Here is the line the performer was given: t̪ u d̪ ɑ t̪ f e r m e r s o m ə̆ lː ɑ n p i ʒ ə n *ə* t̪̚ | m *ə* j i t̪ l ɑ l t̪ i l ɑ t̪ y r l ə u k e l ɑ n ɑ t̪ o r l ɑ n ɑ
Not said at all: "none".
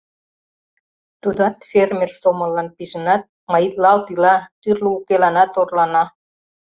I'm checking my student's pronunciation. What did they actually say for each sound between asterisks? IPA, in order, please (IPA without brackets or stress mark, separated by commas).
ɑ, ɑ